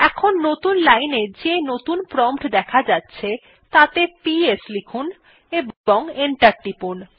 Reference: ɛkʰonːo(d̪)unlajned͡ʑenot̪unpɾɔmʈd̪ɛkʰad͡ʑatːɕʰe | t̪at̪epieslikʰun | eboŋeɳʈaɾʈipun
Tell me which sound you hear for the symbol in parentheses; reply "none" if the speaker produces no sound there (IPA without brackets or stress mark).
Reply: t̪